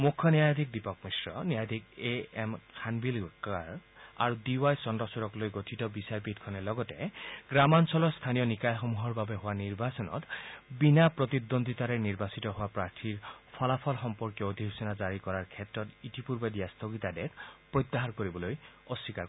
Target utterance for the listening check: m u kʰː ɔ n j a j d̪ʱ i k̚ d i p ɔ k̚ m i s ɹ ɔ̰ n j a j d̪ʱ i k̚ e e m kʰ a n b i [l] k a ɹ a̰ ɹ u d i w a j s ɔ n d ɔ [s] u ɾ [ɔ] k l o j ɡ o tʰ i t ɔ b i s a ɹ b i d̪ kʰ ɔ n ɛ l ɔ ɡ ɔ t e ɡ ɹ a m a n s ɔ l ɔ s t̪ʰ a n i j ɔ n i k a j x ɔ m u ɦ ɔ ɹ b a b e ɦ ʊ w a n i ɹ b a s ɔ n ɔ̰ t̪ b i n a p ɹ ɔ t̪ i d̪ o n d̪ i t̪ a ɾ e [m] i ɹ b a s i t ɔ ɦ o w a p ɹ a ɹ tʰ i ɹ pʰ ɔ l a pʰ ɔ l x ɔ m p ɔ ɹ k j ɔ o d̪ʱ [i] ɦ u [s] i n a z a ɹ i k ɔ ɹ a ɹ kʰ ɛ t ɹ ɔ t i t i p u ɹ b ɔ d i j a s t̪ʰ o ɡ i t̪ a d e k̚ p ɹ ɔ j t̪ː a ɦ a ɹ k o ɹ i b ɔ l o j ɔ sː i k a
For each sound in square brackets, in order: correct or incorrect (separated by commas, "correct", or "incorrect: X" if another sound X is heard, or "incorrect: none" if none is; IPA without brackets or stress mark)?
correct, correct, correct, incorrect: n, correct, correct